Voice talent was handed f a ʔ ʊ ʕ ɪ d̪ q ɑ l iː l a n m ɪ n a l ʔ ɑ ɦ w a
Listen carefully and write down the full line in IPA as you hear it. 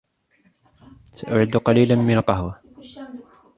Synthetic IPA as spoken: s a ʔ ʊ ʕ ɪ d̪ q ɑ l iː l a n m ɪ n a l q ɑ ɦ w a